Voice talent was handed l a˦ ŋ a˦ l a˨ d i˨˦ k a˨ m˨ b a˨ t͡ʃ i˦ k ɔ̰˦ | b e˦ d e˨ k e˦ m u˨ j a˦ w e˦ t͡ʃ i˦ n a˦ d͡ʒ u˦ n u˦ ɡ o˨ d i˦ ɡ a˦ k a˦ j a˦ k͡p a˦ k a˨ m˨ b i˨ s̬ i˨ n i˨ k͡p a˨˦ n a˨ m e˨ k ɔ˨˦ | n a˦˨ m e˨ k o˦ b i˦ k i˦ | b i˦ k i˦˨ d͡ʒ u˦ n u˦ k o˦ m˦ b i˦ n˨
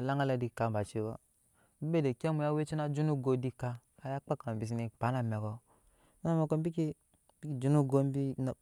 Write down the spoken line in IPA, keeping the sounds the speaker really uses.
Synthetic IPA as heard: l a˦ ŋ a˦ l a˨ d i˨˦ k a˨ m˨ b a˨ t͡ʃ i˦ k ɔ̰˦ | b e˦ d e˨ k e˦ m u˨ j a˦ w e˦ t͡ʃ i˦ n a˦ d͡ʒ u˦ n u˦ ɡ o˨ d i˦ k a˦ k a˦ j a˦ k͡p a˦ k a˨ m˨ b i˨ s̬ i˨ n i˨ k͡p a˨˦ n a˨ m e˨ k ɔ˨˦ | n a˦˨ m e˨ k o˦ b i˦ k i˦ | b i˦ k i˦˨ d͡ʒ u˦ n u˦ ɡ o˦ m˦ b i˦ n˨